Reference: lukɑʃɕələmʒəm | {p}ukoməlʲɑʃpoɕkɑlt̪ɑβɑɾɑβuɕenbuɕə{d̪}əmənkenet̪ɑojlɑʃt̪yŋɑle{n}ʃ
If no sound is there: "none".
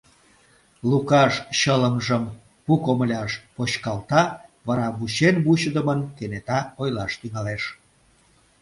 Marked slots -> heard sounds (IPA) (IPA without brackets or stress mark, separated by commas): p, d̪, none